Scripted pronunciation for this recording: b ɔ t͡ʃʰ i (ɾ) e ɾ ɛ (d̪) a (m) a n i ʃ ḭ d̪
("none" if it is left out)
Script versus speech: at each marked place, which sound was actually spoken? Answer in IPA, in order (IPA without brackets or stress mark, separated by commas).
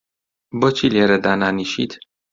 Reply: l, d̪, n